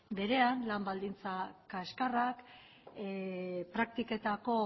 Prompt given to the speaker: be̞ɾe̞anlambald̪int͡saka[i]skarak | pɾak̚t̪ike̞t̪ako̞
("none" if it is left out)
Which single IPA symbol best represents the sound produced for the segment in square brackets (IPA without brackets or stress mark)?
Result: e